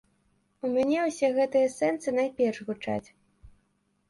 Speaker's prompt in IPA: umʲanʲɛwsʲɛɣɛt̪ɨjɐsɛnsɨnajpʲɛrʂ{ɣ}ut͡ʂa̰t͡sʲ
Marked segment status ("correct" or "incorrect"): correct